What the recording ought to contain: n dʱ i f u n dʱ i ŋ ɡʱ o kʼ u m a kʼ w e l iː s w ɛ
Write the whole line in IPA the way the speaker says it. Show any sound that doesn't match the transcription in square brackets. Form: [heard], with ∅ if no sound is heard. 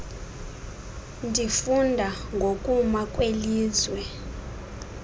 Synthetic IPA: n dʱ i f u n dʱ [a] ŋ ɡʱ o kʼ u m a kʼ w e l iː [z] w ɛ